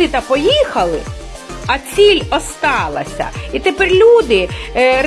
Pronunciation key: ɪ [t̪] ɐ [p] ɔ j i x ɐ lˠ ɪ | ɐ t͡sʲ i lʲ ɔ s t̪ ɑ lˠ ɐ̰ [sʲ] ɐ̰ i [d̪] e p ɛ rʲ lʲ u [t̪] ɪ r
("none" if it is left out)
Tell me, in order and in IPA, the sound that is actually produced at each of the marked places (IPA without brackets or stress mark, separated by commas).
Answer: t̪, p, sʲ, t̪, d̪